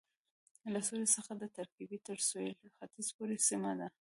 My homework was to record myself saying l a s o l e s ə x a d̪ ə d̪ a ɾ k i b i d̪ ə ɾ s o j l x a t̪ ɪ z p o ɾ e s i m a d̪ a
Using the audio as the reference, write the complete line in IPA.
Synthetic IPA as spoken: l a s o l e s ə x a d̪ ə t̪ a ɾ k i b i t̪ ə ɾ s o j l x a t̪ i z p o ɾ e s i m a d̪ a